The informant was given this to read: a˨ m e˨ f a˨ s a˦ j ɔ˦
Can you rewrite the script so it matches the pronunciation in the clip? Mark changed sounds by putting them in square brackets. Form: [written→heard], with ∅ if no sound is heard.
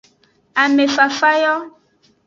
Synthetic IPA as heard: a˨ m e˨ f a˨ [s→f] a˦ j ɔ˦